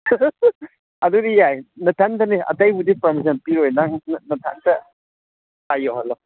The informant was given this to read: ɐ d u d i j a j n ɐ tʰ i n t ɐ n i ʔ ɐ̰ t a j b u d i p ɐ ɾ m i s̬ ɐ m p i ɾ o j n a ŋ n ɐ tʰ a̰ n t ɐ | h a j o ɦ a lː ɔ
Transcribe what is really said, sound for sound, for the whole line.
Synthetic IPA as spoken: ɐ d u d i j a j n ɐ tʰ a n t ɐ n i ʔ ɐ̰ t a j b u d i p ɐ ɾ m i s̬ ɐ n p i ɾ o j n a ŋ n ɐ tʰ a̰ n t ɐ | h a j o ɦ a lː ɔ